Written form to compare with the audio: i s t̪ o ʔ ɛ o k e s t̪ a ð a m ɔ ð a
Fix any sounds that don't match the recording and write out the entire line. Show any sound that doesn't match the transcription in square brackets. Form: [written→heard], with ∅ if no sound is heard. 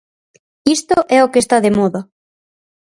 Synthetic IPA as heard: i s t̪ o ʔ ɛ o k e s t̪ a ð [a→e] m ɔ ð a